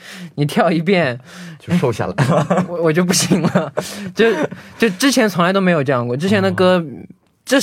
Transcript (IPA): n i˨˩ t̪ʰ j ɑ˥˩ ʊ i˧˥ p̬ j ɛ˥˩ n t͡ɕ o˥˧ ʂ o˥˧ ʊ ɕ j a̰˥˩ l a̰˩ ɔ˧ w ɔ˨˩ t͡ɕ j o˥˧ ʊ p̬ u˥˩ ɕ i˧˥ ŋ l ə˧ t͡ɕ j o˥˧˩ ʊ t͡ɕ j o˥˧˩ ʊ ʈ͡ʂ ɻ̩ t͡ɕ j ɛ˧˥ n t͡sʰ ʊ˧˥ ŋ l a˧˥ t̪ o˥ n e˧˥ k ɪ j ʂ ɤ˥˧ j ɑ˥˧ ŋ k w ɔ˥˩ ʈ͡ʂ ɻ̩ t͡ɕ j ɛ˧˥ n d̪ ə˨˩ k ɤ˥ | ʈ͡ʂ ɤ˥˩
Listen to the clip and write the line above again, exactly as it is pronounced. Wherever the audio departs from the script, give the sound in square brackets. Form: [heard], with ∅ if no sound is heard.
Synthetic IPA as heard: n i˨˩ t̪ʰ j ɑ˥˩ ʊ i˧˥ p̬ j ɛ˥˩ n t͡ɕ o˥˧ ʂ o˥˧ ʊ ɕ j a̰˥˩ l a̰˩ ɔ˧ w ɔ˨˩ t͡ɕ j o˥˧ ʊ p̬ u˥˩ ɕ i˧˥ ŋ l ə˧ t͡ɕ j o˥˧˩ ʊ t͡ɕ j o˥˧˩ ʊ ʈ͡ʂ ɻ̩ [t͡ɕʰ] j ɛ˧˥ n t͡sʰ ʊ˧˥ ŋ l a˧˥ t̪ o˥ [m] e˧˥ [∅] ɪ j [ʈ͡ʂ] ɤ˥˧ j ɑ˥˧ ŋ k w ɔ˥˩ ʈ͡ʂ ɻ̩ [t͡ɕʰ] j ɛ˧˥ n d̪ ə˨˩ k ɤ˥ | ʈ͡ʂ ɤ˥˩